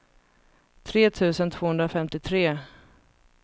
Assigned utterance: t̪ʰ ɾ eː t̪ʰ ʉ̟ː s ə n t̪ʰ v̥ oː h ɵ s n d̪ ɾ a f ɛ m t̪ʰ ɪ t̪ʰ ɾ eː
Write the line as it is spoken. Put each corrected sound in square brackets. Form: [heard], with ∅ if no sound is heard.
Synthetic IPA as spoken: t̪ʰ ɾ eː t̪ʰ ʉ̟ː s ə n t̪ʰ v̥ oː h ɵ [∅] n d̪ ɾ a f ɛ m [t̪] ɪ t̪ʰ ɾ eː